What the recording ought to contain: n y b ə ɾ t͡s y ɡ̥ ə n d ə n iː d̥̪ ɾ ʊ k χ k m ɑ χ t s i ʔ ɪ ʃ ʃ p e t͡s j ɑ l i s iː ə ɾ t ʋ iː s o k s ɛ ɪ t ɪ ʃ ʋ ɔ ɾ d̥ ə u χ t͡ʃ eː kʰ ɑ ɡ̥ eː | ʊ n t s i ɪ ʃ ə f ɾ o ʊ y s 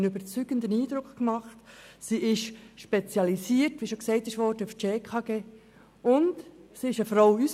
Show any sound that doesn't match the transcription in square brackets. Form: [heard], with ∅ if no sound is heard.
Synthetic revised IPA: n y b ə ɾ t͡s y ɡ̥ ə n d ə n iː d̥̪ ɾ ʊ k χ k m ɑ χ t s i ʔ ɪ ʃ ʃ p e t͡s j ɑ l i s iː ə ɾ t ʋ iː [ʃ] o k s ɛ ɪ t ɪ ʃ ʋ ɔ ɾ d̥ ə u [f] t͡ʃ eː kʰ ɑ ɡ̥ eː | ʊ n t s i ɪ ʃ ə f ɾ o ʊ y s